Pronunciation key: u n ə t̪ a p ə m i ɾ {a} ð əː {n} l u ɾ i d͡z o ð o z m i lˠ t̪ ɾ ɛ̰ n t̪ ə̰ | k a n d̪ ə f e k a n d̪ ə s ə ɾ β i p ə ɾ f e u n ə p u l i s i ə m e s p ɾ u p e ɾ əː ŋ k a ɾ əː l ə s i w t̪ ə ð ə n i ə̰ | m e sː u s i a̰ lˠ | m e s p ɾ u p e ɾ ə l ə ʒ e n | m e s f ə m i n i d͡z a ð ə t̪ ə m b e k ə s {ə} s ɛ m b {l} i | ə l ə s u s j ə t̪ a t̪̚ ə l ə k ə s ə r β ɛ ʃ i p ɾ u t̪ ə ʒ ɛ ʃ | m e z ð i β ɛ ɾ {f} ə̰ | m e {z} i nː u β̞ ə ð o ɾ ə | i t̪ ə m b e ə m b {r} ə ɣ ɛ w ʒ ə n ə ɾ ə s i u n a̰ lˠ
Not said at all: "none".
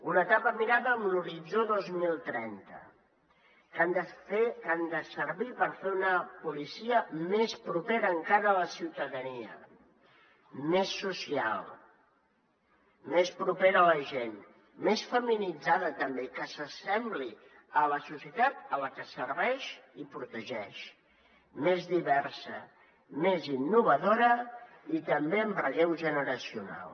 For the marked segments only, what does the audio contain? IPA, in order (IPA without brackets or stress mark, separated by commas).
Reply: a, m, ə, l, s, z, r